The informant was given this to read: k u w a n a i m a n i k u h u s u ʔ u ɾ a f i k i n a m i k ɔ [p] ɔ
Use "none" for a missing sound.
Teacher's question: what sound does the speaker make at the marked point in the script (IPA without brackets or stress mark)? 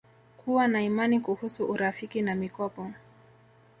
p